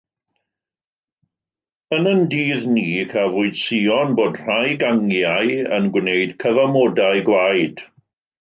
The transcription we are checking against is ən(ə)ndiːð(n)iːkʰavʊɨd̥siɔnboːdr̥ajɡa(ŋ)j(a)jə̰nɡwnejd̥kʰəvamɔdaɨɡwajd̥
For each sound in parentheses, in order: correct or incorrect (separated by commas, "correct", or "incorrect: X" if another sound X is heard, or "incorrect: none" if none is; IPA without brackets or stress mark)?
correct, correct, correct, correct